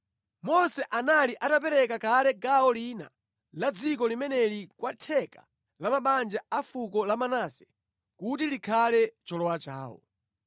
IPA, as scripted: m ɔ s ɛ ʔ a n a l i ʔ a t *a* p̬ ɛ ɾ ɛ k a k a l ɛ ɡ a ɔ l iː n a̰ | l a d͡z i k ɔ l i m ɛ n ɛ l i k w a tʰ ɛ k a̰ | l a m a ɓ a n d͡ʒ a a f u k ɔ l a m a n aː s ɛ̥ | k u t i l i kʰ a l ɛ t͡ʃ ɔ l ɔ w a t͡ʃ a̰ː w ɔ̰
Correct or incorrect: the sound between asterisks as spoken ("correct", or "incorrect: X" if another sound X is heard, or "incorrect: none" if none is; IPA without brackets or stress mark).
correct